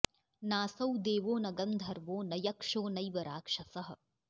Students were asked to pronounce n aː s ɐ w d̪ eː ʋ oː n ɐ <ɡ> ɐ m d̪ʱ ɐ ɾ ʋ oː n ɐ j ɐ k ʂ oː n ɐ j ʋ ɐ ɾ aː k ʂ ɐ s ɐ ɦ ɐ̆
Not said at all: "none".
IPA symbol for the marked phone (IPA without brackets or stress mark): ɡ